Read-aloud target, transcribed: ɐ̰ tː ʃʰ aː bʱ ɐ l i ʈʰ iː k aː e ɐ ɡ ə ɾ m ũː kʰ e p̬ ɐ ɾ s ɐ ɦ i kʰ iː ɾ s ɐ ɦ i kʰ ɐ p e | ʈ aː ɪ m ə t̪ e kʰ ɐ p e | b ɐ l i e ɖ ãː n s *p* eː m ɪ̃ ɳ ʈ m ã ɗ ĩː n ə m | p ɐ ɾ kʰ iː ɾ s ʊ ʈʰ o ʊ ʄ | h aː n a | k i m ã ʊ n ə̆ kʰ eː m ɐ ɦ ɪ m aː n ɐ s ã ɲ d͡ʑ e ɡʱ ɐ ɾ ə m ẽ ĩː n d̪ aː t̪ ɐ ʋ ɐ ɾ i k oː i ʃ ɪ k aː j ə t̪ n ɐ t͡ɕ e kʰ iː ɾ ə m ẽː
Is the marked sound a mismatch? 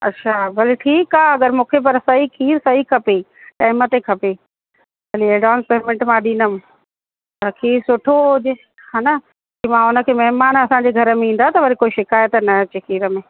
no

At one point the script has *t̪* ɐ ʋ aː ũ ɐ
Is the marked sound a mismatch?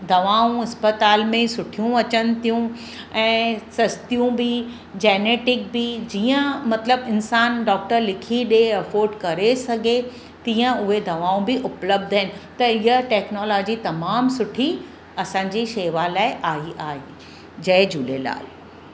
yes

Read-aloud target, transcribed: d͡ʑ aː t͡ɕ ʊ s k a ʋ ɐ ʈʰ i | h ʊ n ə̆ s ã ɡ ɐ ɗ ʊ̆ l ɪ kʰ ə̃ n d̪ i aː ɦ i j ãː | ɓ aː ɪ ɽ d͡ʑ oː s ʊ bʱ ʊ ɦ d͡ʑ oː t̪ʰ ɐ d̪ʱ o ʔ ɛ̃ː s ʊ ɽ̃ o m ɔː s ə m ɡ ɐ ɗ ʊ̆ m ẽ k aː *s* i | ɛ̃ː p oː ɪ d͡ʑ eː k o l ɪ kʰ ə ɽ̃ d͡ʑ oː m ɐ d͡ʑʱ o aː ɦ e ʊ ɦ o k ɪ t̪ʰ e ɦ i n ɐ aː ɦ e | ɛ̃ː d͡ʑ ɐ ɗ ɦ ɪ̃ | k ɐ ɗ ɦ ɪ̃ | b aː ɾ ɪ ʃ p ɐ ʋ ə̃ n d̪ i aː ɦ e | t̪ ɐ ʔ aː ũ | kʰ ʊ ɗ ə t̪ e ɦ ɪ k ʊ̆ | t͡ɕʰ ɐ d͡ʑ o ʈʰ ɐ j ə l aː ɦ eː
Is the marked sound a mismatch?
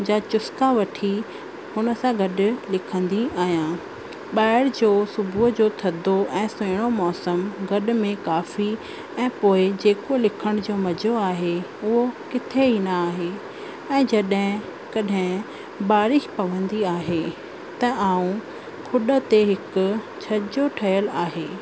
yes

